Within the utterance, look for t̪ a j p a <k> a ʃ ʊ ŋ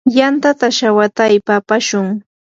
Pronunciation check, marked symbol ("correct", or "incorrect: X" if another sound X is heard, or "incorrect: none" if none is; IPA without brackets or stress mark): incorrect: p